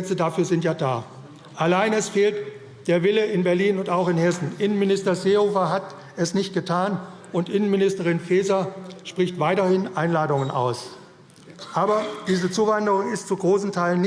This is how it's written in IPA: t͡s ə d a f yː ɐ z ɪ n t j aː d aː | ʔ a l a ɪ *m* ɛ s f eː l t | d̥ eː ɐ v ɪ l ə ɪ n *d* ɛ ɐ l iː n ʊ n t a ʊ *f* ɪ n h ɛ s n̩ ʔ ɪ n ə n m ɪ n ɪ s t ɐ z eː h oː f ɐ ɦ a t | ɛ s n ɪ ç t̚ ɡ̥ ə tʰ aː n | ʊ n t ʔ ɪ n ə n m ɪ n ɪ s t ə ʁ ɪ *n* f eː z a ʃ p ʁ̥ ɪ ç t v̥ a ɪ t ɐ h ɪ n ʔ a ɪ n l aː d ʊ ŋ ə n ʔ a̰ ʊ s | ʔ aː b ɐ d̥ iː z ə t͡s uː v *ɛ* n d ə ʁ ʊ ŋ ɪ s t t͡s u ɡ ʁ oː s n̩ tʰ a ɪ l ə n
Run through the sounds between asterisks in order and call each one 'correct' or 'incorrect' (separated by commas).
incorrect, incorrect, incorrect, correct, incorrect